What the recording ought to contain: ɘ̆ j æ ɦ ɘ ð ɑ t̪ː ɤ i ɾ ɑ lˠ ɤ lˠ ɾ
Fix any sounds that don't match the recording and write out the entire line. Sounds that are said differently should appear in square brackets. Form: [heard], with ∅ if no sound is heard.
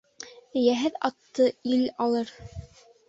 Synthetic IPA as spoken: ɘ̆ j æ ɦ ɘ ð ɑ t̪ː ɤ i [l] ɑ lˠ ɤ [∅] ɾ